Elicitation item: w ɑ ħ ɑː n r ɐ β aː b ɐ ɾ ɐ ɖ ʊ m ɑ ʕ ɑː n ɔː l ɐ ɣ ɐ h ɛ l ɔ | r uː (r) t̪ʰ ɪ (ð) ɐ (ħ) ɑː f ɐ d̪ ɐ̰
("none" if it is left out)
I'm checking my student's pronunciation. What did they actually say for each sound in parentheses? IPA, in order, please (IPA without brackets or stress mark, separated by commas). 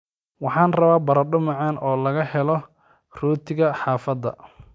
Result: none, ɣ, ħ